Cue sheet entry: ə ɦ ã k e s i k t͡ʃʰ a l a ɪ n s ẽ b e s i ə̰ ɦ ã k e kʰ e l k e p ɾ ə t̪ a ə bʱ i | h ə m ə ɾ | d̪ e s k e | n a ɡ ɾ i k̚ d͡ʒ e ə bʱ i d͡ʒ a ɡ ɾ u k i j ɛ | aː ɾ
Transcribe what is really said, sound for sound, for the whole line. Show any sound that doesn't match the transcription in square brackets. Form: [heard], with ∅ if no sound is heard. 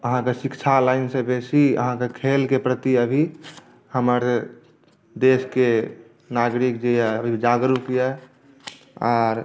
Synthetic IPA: ə ɦ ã k e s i k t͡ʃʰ a l a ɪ n s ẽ b e s i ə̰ ɦ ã k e kʰ e l k e p ɾ ə t̪ [i] ə bʱ i | h ə m ə ɾ | d̪ e s k e | n a ɡ ɾ i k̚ d͡ʒ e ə bʱ i d͡ʒ a ɡ ɾ u k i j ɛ | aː ɾ